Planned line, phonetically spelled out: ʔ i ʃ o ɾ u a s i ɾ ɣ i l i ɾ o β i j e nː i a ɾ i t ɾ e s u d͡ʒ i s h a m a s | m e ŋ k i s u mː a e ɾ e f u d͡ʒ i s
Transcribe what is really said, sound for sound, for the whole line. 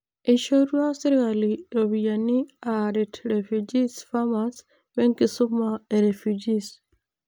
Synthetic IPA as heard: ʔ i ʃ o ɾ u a s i ɾ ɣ a l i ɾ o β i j a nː i a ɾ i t ɾ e f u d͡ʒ i s f a m a s | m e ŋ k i s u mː a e ɾ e f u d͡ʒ i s

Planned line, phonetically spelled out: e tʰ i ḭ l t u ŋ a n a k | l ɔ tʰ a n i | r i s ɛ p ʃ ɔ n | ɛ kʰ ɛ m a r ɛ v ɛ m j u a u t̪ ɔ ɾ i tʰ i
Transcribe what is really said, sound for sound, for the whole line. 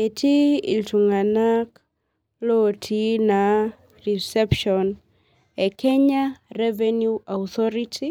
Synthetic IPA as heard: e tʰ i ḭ l t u ŋ a n a k | l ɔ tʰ i n a | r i s ɛ p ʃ ɔ n | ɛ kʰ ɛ ɲ a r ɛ v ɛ n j u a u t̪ ɔ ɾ i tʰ i

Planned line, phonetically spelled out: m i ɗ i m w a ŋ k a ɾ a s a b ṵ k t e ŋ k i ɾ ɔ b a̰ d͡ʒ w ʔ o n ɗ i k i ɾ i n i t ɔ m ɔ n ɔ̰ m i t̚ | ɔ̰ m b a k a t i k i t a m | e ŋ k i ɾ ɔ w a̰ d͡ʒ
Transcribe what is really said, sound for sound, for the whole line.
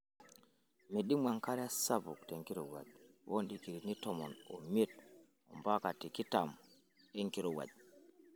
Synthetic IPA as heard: m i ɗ i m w a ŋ k a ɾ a s a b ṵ k t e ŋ k i ɾ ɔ w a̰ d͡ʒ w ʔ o n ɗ i k i ɾ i n i t ɔ m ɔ n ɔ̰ m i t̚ | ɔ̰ m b a k a t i k i t a m | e ŋ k i ɾ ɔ w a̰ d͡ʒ

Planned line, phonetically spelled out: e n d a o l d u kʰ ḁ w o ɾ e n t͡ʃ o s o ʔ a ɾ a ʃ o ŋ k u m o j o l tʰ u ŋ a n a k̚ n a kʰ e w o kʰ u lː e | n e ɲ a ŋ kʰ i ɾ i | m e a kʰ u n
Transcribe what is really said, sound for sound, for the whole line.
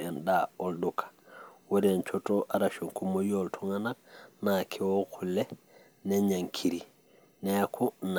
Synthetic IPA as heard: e n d a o l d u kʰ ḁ w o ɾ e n t͡ʃ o t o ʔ a ɾ a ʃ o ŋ k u m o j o l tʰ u ŋ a n a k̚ n a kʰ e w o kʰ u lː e | n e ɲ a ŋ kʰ i ɾ i | n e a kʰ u n

